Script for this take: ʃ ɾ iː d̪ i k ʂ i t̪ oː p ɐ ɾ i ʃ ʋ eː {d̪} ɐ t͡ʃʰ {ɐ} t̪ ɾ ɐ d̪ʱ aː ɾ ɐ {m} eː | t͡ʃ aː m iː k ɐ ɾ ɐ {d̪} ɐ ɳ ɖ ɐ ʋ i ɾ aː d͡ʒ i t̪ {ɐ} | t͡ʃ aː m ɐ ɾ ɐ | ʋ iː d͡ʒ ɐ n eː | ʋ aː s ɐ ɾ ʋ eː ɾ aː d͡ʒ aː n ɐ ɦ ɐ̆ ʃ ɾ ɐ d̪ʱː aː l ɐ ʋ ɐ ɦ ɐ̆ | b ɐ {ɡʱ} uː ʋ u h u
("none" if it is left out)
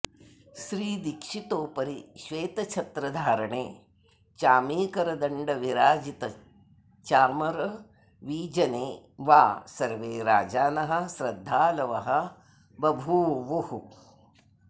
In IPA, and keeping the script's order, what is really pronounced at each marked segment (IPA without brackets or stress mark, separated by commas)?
t̪, ɐ, ɳ, d̪, ɐ, bʱ